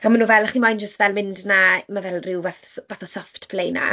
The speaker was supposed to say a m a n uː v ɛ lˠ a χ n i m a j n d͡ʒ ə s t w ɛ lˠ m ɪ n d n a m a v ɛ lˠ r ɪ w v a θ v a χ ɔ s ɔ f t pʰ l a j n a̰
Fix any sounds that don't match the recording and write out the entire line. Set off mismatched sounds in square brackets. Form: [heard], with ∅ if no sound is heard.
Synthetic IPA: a m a n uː v ɛ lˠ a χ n i m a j n d͡ʒ ə s t [v] ɛ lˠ m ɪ n d n a m a v ɛ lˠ r ɪ w v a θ v a [θ] ɔ s ɔ f t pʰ l [e] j n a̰